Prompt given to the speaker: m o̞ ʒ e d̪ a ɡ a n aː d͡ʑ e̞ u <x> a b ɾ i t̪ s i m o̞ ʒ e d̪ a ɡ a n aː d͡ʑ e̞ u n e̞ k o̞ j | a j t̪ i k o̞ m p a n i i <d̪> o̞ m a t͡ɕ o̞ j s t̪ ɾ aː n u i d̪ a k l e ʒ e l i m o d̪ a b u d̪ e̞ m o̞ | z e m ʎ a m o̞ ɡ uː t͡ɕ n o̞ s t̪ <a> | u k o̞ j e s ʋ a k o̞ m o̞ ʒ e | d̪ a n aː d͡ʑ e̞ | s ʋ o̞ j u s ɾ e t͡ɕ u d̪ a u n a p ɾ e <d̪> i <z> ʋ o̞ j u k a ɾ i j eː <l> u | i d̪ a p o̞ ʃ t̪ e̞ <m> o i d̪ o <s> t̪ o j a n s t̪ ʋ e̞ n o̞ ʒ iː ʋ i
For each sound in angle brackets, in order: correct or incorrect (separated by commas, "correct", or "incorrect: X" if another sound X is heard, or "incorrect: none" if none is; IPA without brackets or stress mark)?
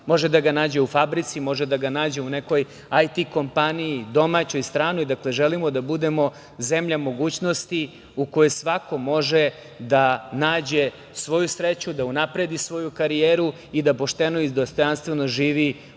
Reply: incorrect: f, correct, incorrect: i, correct, incorrect: s, incorrect: ɾ, incorrect: n, correct